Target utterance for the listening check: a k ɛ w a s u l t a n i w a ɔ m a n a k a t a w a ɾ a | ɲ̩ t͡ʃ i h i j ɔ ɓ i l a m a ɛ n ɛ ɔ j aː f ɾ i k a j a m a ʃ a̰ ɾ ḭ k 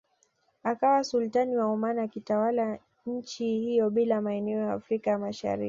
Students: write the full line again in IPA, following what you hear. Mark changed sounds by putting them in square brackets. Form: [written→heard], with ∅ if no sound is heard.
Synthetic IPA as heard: a k [ɛ→a] w a s u l t a n i w a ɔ m a n a k [a→i] t a w a [ɾ→l] a | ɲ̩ t͡ʃ i h i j ɔ ɓ i l a m a ɛ n ɛ ɔ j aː f ɾ i k a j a m a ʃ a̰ ɾ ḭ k